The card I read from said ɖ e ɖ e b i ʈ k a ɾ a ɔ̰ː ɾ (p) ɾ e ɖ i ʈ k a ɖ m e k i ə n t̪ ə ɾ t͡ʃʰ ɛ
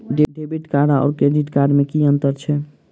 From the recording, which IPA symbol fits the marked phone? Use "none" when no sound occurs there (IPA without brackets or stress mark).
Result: k